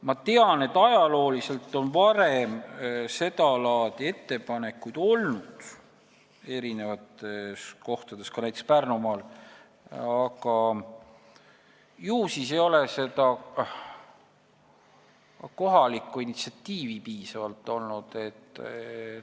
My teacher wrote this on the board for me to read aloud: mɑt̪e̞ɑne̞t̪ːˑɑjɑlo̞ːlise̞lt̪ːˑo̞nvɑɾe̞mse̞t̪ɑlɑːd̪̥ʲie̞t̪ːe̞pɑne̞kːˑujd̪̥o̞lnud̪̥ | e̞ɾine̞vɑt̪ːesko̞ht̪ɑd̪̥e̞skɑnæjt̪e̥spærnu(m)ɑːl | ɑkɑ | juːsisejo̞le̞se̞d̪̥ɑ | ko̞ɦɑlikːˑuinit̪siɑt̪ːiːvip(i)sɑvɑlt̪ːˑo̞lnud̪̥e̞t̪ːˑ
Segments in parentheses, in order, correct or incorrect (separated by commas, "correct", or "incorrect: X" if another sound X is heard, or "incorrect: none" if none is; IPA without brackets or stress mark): correct, incorrect: iː